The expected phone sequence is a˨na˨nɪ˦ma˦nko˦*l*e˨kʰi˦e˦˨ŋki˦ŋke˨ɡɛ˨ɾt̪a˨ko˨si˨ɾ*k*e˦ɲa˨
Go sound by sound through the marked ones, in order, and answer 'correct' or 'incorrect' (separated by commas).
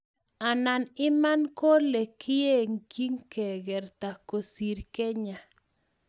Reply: correct, correct